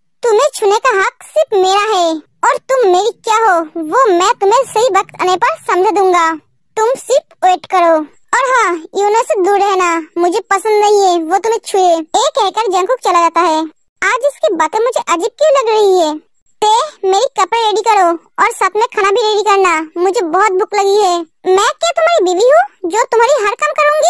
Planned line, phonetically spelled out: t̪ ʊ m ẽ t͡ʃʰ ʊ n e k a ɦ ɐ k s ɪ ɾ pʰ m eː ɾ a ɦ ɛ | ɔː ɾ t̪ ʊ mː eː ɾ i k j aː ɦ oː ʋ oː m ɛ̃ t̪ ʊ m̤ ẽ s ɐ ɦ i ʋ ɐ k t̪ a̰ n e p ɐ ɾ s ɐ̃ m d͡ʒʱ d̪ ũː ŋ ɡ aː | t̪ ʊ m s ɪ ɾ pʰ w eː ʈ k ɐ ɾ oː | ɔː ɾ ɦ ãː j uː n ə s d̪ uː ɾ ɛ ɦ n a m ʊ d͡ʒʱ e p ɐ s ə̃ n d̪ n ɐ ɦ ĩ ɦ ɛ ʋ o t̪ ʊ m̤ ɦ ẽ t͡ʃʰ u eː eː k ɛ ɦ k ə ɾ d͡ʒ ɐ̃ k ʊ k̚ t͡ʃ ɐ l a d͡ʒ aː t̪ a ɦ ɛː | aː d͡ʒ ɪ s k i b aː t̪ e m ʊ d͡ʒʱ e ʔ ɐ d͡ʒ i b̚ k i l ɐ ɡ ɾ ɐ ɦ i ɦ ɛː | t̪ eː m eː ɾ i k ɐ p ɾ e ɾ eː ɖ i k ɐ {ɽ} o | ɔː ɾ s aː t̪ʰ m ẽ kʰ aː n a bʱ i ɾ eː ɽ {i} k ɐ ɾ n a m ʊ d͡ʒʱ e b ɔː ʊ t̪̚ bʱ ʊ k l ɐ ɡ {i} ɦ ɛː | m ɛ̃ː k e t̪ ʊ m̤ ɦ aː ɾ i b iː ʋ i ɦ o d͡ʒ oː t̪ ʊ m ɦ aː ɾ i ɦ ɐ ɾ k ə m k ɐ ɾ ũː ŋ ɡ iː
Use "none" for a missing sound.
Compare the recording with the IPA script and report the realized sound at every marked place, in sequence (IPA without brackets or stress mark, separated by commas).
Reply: ɾ, i, i